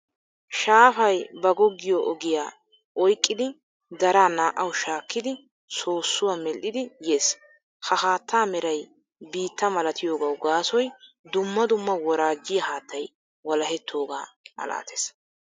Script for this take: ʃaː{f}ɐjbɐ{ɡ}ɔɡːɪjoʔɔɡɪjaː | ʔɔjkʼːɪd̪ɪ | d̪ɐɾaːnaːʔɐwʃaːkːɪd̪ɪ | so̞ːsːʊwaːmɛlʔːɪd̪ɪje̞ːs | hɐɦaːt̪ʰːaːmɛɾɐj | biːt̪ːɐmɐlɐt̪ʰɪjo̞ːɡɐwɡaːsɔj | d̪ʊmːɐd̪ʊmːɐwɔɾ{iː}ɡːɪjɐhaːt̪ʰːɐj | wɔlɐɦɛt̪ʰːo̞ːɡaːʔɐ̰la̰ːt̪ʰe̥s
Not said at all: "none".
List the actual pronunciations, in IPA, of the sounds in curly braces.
f, ɡ, aː

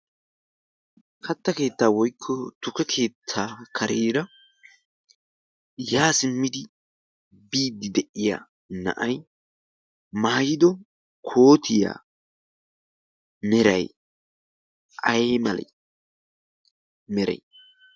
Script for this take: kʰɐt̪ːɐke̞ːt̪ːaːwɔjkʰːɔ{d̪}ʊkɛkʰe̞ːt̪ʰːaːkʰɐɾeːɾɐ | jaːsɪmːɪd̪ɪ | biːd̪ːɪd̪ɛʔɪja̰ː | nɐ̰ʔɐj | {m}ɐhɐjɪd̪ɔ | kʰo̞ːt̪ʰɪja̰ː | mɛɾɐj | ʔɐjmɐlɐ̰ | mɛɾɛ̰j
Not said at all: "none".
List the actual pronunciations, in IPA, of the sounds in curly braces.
t̪, m

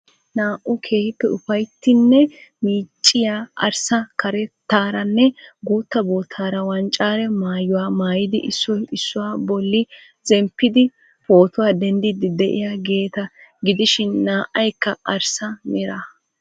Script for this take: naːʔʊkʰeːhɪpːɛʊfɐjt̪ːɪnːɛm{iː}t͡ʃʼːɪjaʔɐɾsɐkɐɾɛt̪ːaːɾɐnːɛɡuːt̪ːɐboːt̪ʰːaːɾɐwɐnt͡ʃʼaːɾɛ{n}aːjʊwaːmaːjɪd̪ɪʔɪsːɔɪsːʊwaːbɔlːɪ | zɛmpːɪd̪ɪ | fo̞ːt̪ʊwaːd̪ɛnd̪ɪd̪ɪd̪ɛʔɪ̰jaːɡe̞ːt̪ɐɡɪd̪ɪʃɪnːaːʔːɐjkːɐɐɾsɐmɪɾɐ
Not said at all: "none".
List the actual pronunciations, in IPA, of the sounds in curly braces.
iː, m

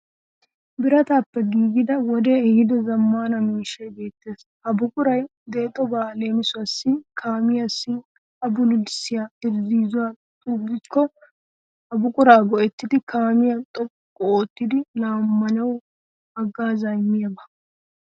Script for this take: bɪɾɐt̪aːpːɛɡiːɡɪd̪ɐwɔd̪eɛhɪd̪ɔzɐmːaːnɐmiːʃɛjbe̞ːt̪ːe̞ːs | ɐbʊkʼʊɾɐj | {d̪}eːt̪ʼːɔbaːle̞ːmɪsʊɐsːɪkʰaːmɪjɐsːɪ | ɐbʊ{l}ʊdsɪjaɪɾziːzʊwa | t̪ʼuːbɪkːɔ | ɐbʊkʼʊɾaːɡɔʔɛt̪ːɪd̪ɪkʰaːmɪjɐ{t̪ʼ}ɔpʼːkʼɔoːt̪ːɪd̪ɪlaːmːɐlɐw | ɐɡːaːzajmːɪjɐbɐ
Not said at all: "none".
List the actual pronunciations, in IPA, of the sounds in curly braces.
d̪, l, t̪ʼ

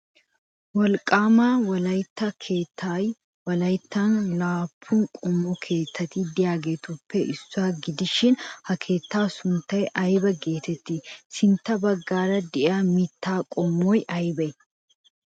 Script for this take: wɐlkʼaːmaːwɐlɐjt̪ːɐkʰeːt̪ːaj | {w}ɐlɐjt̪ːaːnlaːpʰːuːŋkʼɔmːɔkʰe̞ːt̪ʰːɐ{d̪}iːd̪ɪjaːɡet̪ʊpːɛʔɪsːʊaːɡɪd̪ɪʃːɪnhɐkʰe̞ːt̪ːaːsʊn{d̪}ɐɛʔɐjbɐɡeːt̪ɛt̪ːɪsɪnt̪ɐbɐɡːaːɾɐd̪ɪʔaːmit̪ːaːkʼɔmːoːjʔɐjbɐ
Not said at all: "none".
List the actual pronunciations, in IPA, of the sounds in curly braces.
w, t̪, t̪

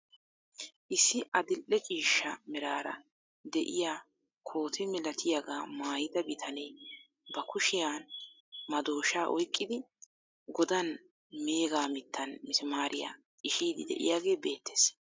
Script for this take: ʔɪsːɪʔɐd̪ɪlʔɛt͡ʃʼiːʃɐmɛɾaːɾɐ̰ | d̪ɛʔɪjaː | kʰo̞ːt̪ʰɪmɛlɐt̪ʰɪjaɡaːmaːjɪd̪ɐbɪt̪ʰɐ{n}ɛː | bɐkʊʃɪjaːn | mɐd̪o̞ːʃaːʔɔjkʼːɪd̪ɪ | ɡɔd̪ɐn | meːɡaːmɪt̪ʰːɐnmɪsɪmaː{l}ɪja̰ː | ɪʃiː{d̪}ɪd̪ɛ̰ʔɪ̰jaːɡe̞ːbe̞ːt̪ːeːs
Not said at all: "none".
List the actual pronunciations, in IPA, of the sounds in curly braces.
n, ɾ, d̪

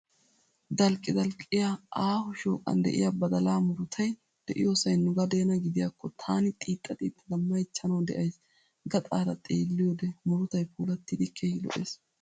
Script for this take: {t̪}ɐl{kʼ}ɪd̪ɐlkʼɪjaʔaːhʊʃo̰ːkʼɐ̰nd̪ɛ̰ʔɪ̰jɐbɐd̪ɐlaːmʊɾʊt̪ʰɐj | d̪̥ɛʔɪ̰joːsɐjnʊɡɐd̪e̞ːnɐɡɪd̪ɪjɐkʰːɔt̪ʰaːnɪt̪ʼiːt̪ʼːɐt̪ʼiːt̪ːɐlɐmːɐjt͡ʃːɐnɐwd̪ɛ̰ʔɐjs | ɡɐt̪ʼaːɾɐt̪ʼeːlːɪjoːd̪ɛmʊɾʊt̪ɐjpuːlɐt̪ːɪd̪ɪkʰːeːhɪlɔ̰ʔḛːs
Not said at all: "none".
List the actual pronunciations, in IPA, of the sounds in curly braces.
d̪, kʼ

